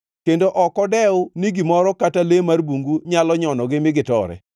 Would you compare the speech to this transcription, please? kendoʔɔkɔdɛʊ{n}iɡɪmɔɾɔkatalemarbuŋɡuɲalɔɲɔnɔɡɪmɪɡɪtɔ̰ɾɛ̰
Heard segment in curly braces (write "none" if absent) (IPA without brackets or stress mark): n